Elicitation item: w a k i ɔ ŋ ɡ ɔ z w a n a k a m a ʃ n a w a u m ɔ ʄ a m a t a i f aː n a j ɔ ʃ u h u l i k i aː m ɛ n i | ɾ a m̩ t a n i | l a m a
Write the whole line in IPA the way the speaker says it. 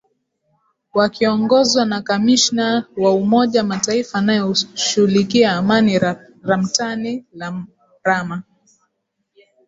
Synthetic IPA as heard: w a k i ɔ ŋ ɡ ɔ z w a n a k a m i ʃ n a w a u m ɔ ʄ a m a t a i f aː n a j ɔ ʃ u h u l i k i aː m a n i | ɾ a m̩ t a n i | ɾ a m a